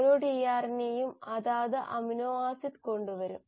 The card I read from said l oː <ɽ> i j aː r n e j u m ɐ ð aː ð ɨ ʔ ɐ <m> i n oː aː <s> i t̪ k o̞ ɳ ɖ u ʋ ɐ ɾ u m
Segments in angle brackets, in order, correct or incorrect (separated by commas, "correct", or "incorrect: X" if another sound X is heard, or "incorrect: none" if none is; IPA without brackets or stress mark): correct, correct, correct